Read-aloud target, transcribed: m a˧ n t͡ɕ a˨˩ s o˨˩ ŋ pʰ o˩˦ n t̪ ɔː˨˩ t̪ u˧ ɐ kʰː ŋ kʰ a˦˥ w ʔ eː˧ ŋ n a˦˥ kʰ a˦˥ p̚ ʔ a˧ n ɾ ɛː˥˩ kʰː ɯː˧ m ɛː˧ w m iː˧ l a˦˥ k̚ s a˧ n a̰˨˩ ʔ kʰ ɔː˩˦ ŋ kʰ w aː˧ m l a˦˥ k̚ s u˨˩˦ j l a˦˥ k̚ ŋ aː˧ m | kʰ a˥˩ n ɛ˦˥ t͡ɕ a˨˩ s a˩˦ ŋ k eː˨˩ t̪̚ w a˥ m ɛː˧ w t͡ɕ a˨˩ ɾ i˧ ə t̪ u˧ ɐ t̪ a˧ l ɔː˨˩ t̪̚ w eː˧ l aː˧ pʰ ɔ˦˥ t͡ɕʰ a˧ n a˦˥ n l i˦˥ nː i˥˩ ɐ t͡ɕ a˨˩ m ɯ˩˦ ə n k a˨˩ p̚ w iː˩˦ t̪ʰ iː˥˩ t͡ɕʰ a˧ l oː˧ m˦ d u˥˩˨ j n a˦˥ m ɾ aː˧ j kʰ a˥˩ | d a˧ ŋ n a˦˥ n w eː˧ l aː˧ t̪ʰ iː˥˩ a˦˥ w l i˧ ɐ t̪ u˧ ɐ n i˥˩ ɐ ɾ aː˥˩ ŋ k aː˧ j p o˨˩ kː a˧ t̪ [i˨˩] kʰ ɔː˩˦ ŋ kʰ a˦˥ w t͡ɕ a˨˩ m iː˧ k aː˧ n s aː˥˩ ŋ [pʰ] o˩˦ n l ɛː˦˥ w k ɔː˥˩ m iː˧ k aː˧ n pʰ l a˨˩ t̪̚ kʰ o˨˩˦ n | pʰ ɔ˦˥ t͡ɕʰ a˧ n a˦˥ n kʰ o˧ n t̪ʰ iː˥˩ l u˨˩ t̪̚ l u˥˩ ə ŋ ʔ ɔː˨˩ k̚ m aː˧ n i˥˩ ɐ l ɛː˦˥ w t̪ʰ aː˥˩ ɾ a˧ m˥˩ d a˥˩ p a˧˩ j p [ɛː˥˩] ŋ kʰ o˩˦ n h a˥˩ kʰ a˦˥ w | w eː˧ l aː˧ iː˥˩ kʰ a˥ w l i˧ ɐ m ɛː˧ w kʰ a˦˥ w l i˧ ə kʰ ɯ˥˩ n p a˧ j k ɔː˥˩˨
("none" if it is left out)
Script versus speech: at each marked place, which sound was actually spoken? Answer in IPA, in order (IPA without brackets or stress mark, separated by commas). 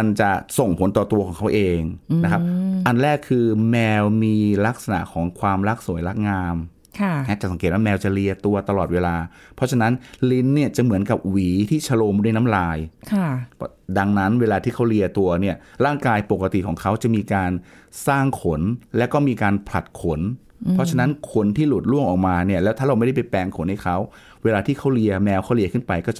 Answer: i˨˩, kʰ, ɛː˧